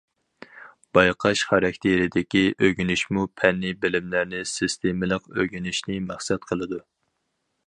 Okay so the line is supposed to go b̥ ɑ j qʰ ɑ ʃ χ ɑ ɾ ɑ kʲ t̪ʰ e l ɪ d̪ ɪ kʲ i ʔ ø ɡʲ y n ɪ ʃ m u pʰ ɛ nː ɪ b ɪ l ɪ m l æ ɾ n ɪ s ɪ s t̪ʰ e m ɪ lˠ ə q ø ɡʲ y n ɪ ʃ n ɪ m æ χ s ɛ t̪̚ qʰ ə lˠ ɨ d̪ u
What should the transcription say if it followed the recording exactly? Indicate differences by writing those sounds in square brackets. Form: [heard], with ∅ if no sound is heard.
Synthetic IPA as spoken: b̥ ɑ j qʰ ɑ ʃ χ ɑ ɾ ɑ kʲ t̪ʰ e [ɾ] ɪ d̪ ɪ kʲ i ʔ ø ɡʲ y n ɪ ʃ m u pʰ ɛ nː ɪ b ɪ l ɪ m l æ ɾ n ɪ s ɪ s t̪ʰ e m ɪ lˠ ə q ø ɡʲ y n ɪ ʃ n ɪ m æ χ s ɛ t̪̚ qʰ ə lˠ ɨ d̪ u